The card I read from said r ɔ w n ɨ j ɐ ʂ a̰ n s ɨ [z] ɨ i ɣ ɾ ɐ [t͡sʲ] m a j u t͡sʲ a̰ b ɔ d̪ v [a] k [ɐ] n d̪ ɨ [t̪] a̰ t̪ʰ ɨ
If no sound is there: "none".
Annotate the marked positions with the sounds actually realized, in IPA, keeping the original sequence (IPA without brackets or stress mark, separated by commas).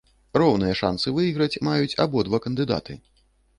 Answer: v, t͡sʲ, a, ɐ, d̪